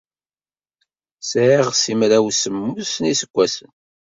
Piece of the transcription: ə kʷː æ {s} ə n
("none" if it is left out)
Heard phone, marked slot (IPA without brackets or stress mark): s